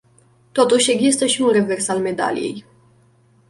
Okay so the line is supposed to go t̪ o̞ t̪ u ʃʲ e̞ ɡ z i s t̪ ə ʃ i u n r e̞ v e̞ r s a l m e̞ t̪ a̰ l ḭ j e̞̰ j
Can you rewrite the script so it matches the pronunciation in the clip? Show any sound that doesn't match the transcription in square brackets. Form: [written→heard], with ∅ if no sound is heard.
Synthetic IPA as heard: t̪ o̞ t̪ u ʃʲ e̞ ɡ z i s t̪ ə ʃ i u n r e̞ v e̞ r s a l m e̞ [t̪→d̪] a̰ l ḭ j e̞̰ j